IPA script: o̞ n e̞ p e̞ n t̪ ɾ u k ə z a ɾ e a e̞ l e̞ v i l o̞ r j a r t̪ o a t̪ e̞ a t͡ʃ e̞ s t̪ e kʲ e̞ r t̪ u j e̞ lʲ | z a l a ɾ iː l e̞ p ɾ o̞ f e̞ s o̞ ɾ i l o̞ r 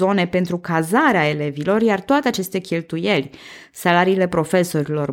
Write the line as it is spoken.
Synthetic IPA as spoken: o̞ n e̞ p e̞ n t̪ ɾ u k a z a ɾ e a e̞ l e̞ v i l o̞ r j a r t̪ o a t̪ e̞ a t͡ʃ e̞ s t̪ e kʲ e̞ l t̪ u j e̞ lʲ | s a l a ɾ iː l e̞ p ɾ o̞ f e̞ s o̞ ɾ i l o̞ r